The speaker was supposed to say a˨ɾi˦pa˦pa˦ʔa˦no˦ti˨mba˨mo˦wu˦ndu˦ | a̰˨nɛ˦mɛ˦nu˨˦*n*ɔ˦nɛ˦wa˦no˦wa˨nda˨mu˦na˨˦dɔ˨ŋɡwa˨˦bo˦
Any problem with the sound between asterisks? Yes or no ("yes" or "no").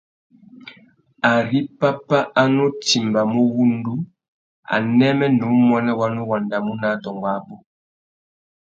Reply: yes